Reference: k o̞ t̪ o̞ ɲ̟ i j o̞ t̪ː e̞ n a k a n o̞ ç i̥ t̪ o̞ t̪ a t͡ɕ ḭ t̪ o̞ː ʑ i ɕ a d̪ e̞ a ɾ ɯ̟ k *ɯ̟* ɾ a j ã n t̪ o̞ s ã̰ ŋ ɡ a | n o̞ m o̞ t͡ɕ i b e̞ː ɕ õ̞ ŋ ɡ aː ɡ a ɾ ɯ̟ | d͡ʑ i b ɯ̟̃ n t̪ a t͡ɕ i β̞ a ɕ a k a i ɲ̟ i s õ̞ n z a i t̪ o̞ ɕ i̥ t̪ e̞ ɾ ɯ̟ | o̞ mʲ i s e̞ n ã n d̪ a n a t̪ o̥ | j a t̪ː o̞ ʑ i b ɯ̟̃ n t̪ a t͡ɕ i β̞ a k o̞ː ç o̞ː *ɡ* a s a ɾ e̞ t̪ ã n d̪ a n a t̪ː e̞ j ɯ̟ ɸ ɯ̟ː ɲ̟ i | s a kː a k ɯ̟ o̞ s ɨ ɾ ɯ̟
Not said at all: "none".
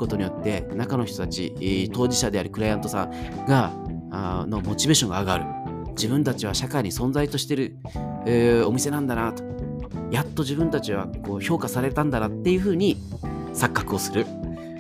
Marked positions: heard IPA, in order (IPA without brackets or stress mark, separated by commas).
ɯ̟, k